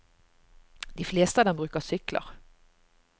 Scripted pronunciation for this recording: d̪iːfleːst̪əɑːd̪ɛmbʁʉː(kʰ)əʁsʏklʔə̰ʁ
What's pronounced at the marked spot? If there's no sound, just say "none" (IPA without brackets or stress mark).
k